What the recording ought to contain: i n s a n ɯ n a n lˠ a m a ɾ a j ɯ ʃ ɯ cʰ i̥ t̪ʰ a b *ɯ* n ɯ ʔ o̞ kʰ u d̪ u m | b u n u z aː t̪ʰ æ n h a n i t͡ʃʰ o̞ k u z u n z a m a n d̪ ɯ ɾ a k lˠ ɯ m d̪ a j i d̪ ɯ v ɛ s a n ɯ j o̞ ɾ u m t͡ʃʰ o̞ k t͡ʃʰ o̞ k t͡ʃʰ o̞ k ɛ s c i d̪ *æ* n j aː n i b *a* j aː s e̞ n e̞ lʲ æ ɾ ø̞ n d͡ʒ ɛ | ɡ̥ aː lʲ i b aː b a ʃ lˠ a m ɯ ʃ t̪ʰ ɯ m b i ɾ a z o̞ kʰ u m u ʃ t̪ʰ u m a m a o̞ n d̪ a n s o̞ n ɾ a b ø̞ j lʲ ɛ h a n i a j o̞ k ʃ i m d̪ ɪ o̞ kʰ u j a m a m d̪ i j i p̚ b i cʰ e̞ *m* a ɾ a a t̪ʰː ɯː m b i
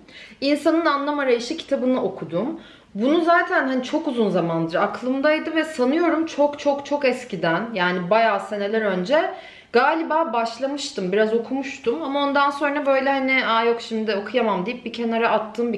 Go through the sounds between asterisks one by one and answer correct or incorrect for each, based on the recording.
correct, correct, correct, incorrect

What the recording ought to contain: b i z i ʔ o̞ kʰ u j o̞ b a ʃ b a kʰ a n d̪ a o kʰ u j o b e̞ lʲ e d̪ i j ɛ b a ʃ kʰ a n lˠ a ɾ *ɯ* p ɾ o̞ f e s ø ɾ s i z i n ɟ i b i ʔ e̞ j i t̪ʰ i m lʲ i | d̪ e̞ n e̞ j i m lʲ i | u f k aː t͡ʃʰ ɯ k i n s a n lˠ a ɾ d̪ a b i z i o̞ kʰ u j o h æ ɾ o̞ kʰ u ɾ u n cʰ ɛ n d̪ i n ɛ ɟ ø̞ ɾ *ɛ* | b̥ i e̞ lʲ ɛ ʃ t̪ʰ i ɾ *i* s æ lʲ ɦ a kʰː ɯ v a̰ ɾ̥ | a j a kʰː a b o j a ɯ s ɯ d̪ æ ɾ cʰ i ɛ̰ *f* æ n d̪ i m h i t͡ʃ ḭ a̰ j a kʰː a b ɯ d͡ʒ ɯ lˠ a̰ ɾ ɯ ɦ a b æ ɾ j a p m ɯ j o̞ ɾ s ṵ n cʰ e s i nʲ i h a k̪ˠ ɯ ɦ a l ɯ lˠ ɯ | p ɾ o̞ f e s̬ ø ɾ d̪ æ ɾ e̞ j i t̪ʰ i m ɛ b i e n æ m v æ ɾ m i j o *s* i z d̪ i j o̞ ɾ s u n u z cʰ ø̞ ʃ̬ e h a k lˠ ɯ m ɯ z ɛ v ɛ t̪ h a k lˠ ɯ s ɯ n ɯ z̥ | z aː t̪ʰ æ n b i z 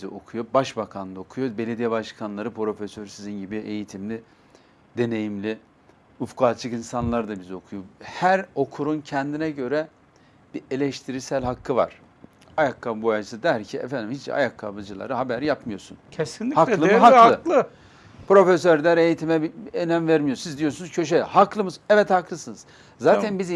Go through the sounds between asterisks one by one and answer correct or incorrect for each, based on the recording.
correct, correct, correct, correct, correct

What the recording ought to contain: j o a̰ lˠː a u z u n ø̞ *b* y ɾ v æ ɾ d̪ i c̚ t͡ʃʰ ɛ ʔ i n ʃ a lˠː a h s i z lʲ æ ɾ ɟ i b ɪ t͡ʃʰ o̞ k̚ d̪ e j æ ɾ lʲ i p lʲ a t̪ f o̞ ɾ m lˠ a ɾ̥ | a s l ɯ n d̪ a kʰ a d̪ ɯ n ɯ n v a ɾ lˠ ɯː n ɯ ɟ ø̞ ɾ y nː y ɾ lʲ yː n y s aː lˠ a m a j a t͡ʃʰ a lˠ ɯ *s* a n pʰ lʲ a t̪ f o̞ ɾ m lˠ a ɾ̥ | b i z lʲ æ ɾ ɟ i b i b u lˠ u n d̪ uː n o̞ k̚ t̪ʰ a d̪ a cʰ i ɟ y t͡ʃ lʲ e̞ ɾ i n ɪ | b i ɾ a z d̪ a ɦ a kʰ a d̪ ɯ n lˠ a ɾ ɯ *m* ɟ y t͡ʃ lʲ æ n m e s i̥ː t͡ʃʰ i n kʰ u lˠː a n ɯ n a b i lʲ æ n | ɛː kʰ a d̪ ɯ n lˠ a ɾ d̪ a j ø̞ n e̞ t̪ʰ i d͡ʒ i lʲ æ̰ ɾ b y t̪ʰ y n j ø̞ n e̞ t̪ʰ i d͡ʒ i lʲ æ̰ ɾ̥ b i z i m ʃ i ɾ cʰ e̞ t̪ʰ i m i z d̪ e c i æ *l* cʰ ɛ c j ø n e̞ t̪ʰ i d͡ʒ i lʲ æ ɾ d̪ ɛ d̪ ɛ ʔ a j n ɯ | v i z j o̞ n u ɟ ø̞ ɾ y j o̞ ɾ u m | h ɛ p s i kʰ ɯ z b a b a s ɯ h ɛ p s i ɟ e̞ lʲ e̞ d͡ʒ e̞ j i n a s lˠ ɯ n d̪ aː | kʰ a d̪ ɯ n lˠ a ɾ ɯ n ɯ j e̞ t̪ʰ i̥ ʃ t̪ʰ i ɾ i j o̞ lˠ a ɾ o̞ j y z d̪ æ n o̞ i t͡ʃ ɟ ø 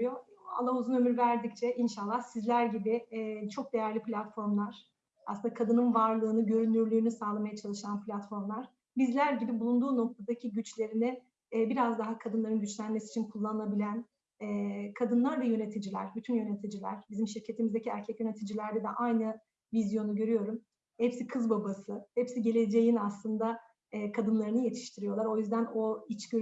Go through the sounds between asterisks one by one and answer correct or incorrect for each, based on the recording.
incorrect, incorrect, incorrect, incorrect

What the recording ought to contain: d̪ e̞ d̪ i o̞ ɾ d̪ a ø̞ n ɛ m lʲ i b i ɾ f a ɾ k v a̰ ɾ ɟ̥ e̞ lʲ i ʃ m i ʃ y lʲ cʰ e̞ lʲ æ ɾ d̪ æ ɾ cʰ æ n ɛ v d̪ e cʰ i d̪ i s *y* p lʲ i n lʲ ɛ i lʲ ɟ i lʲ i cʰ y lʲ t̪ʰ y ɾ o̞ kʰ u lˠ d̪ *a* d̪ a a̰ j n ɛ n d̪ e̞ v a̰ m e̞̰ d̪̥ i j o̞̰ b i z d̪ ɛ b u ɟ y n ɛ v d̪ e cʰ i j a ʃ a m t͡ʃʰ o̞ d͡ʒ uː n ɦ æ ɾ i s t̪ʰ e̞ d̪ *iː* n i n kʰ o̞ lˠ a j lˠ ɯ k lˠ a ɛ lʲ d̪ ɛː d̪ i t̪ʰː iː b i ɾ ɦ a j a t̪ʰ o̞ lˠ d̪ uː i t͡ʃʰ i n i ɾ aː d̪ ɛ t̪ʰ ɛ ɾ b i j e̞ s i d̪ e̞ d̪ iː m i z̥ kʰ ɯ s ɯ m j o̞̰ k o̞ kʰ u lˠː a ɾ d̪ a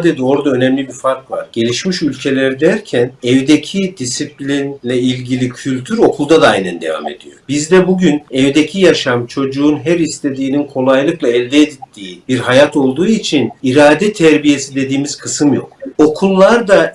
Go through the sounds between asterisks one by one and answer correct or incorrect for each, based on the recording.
incorrect, correct, correct

